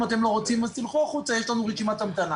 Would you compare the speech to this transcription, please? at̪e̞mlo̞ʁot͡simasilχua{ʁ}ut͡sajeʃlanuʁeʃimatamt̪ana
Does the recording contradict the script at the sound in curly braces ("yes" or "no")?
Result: yes